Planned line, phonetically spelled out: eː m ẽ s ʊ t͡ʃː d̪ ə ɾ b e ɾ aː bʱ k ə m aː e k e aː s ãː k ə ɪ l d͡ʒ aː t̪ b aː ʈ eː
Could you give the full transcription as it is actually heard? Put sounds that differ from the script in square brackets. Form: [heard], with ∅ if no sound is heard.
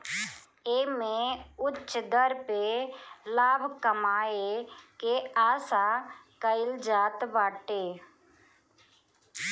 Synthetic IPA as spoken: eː m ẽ [∅] ʊ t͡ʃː d̪ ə ɾ [p] e [l] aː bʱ k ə m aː e k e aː s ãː k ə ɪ l d͡ʒ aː t̪ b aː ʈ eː